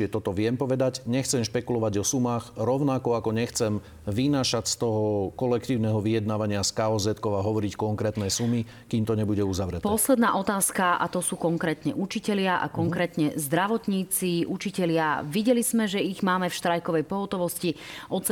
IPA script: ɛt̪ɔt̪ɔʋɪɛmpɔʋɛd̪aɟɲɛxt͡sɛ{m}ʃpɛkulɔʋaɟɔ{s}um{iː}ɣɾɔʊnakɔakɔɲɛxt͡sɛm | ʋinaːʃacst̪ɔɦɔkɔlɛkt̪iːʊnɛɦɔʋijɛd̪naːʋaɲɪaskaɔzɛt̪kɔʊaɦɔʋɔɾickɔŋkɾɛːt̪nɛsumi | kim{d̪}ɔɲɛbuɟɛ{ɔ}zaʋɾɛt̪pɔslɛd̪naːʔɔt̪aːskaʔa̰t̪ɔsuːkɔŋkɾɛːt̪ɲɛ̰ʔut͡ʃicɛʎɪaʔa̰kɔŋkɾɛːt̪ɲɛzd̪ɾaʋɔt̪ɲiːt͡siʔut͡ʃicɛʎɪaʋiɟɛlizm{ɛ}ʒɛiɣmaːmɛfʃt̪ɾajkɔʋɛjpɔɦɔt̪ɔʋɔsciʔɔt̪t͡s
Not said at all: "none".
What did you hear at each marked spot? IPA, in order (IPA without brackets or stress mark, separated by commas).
m, s, aː, t̪, u, ɛ